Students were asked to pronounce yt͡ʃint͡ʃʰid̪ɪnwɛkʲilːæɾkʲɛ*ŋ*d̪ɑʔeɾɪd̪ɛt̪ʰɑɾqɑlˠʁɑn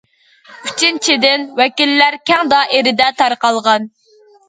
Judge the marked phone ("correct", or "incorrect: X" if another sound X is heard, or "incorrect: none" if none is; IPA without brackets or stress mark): correct